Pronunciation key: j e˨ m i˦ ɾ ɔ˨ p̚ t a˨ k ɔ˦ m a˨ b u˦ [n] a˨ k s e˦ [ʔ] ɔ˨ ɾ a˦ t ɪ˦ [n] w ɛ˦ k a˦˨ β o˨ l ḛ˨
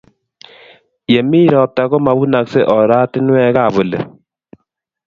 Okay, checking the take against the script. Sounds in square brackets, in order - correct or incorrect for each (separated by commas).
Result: correct, correct, correct